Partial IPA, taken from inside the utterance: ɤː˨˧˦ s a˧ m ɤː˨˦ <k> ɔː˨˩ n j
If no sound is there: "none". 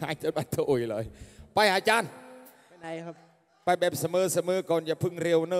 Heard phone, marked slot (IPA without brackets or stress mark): k